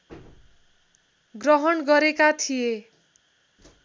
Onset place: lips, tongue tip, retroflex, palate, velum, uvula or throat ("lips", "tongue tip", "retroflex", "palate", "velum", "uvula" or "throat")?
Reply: velum